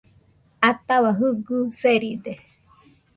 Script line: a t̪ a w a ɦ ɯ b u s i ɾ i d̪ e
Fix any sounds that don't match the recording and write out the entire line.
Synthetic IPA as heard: a t̪ a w a ɦ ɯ ɡ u s e ɾ i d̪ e

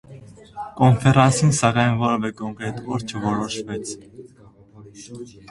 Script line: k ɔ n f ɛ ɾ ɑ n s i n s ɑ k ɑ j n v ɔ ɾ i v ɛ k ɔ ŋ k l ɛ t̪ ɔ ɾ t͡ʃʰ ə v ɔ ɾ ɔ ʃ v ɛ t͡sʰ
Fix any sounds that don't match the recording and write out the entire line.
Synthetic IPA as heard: k ɔ n f ɛ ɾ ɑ n s i n s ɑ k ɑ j n v ɔ ɾ ɛ v ɛ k ɔ ŋ k ɾ ɛ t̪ ɔ ɾ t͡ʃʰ ə v ɔ ɾ ɔ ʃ v ɛ t͡sʰ

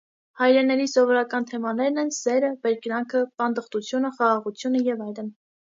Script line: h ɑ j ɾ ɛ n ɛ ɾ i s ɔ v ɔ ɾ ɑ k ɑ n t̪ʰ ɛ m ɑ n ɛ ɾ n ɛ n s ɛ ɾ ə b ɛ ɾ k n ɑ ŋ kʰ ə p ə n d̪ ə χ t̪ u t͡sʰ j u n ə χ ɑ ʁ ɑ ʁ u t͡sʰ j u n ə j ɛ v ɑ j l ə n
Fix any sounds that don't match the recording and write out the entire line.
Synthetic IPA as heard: h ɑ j ɾ ɛ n ɛ ɾ i s ɔ v ɔ ɾ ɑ k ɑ n t̪ʰ ɛ m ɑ n ɛ ɾ n ɛ n s ɛ ɾ ə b ɛ ɾ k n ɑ ŋ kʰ ə p ɑ n d̪ ə χ t̪ u t͡sʰ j u n ə χ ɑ ʁ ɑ ʁ u t͡sʰ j u n ə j ɛ v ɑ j l ə n

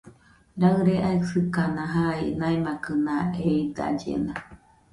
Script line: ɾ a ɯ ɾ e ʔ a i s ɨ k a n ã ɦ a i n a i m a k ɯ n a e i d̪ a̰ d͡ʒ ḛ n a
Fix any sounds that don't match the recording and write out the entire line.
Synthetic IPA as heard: ɾ a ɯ ɾ e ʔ a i s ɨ k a n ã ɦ a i n a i m a k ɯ n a e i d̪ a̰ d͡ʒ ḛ n a

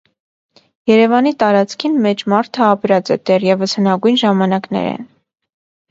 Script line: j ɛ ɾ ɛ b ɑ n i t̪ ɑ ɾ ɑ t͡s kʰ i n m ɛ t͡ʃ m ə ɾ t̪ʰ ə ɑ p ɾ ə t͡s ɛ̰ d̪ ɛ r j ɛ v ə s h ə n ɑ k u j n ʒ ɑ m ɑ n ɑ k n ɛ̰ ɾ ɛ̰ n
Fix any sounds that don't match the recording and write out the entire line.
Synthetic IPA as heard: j ɛ ɾ ɛ v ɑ n i t̪ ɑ ɾ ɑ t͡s kʰ i n m ɛ t͡ʃ m ɑ ɾ t̪ʰ ə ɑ p ɾ ɑ t͡s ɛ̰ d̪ ɛ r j ɛ v ə s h ə n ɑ ɡ u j n ʒ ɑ m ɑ n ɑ k n ɛ̰ ɾ ɛ̰ n

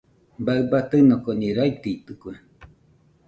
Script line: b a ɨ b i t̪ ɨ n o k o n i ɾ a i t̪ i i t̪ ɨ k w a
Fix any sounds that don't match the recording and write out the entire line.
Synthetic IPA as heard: b a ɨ b a t̪ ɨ n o k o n i ɾ a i t̪ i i t̪ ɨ k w e

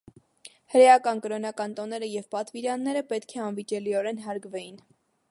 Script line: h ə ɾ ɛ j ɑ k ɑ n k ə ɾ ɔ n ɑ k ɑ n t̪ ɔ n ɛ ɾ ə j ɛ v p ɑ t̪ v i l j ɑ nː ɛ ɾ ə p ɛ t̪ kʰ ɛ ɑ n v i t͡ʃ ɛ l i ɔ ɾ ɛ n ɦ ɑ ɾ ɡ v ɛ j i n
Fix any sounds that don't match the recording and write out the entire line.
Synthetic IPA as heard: h ə ɾ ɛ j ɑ k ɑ n k ə ɾ ɔ n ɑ k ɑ n t̪ ɔ n ɛ ɾ ə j ɛ v p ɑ t̪ v i ɾ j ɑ nː ɛ ɾ ə p ɛ t̪ kʰ ɛ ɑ n v i t͡ʃ ɛ l i ɔ ɾ ɛ n ɦ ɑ ɾ ɡ v ɛ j i n

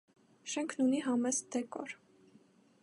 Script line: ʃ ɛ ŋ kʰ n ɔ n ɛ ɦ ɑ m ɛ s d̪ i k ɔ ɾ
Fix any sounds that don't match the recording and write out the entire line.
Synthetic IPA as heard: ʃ ɛ ŋ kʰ n u n i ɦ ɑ m ɛ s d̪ ɛ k ɔ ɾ

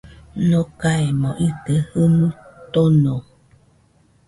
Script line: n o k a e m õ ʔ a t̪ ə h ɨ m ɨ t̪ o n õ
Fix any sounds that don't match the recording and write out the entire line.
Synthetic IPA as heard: n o k a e m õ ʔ i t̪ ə h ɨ m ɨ t̪ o n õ

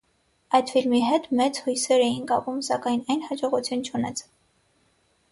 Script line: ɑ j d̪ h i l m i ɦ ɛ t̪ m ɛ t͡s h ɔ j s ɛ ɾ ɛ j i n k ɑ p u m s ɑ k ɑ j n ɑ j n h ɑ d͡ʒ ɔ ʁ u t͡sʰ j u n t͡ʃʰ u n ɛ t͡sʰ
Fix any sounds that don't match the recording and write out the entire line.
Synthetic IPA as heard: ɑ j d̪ f i l m i ɦ ɛ t̪ m ɛ t͡s h u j s ɛ ɾ ɛ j i n k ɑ p u m s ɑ k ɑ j n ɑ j n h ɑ d͡ʒ ɔ ʁ u t͡sʰ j u n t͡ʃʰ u n ɛ t͡sʰ

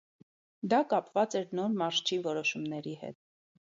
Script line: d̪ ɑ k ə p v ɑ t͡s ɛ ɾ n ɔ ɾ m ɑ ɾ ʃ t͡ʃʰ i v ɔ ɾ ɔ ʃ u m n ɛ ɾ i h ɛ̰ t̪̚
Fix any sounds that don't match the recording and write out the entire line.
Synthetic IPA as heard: d̪ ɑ k ɑ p v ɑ t͡s ɛ ɾ n ɔ ɾ m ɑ ɾ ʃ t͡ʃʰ i v ɔ ɾ ɔ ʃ u m n ɛ ɾ i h ɛ̰ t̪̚

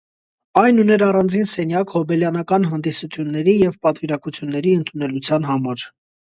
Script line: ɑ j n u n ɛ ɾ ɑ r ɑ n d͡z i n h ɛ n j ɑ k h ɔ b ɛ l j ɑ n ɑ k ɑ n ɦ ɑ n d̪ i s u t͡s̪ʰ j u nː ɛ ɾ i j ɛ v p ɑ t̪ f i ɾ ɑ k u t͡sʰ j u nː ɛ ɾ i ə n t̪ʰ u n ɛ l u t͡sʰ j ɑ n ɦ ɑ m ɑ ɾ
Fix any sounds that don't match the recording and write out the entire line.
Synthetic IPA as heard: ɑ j n u n ɛ ɾ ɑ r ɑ n d͡z i n s ɛ n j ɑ k h ɔ b ɛ l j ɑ n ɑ k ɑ n ɦ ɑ n d̪ i s u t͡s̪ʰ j u nː ɛ ɾ i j ɛ v p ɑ t̪ v i ɾ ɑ k u t͡sʰ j u nː ɛ ɾ i ə n t̪ʰ u n ɛ l u t͡sʰ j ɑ n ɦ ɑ m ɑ ɾ

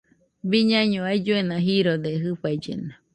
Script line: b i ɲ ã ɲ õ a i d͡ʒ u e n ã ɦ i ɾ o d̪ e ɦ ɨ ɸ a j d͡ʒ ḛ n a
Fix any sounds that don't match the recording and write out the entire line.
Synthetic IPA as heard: b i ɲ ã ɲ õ a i d͡ʒ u e n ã ɦ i ɾ o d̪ e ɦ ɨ ɸ a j d͡ʒ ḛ n a

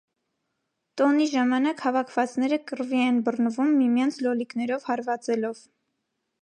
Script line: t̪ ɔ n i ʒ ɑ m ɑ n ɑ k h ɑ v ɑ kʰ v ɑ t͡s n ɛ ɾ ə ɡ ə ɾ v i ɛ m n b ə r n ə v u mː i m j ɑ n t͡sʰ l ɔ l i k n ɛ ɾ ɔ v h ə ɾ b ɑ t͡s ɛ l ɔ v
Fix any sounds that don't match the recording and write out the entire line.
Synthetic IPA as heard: t̪ ɔ n i ʒ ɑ m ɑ n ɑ k h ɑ v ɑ kʰ v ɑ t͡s n ɛ ɾ ə k ə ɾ v i ɛ n b ə r n ə v u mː i m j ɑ n t͡sʰ l ɔ l i k n ɛ ɾ ɔ v h ɑ ɾ v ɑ t͡s ɛ l ɔ v

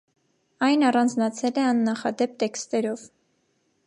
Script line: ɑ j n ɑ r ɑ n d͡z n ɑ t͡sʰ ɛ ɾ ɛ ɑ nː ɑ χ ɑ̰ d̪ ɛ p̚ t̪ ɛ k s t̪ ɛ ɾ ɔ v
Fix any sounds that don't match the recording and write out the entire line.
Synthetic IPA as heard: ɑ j n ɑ r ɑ n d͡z n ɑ t͡sʰ ɛ l ɛ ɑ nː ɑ χ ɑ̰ d̪ ɛ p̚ t̪ ɛ k s t̪ ɛ ɾ ɔ v

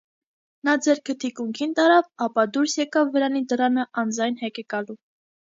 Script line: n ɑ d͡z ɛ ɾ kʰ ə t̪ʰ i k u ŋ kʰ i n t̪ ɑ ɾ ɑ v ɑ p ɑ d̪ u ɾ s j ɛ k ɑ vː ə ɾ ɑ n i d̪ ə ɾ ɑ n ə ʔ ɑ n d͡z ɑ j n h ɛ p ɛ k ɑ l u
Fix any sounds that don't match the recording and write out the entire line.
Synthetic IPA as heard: n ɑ d͡z ɛ ɾ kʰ ə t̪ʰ i k u ŋ kʰ i n t̪ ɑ ɾ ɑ v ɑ p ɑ d̪ u ɾ s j ɛ k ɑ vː ə ɾ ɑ n i d̪ ə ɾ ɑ n ə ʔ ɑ n d͡z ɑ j n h ɛ k ɛ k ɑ l u

